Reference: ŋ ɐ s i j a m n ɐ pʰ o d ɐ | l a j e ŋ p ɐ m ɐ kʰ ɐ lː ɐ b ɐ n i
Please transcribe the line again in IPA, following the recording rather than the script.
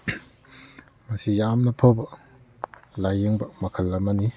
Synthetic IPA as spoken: m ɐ s i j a m n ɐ pʰ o b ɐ | l a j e ŋ b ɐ m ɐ kʰ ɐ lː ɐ m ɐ n i